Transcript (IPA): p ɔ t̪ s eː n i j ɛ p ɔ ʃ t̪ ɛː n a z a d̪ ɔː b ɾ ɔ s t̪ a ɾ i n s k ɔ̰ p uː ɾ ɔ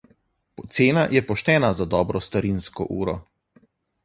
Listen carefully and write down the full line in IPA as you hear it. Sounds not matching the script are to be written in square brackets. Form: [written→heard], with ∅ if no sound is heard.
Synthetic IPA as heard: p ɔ t̪ s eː n [i→a] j ɛ p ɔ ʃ t̪ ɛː n a z a d̪ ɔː b ɾ ɔ s t̪ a ɾ i n s k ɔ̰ [p→ʔ] uː ɾ ɔ